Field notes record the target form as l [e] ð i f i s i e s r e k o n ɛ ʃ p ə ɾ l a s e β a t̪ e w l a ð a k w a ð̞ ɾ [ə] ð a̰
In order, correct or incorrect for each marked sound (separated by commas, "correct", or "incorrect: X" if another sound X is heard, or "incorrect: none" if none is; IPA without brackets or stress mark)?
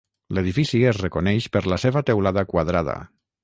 correct, incorrect: a